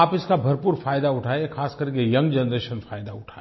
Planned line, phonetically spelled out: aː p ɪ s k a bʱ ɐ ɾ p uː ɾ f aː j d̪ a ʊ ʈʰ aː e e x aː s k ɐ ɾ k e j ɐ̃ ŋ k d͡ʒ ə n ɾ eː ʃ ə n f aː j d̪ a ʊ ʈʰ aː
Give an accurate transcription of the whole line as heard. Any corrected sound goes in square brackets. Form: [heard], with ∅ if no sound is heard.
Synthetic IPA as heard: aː p ɪ s k a bʱ ɐ ɾ p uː ɾ f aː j d̪ a ʊ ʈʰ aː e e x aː s k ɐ ɾ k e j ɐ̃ ŋ [ɡ] d͡ʒ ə n ɾ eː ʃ ə n f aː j d̪ a ʊ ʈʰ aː